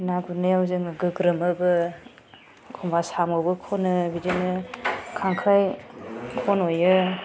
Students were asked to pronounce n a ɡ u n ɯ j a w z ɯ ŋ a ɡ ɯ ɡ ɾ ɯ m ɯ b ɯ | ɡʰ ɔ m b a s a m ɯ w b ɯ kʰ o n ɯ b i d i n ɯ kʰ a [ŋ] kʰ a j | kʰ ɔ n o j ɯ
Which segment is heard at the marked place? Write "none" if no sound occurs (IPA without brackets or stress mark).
ŋ